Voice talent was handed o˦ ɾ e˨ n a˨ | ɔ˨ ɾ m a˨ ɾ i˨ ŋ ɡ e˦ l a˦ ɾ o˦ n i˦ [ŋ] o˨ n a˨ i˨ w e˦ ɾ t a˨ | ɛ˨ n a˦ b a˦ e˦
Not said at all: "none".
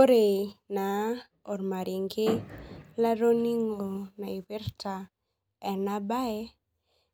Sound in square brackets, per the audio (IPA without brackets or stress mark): ŋ